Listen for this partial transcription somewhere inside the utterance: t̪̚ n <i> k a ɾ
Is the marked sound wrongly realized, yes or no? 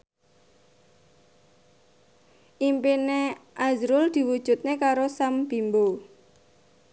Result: yes